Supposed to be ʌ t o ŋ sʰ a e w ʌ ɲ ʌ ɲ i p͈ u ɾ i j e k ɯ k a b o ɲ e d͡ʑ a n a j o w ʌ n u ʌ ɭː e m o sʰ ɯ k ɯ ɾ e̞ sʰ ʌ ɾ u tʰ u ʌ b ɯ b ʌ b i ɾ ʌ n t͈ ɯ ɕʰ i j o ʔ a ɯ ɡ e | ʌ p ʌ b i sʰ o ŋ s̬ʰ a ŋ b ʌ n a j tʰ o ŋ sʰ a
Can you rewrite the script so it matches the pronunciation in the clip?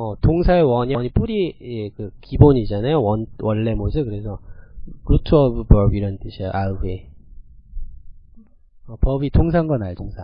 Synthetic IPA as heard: ʌ t o ŋ sʰ a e w ʌ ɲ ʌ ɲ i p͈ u ɾ i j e k ɯ k i b o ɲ i d͡ʑ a n a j o w ʌ n w ʌ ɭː e m o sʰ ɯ k ɯ ɾ e̞ sʰ ʌ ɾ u tʰ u ʌ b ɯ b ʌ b i ɾ ʌ n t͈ ɯ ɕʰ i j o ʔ a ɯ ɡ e | ʌ p ʌ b i tʰ o ŋ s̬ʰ a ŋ ɡ ʌ n a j tʰ o ŋ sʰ a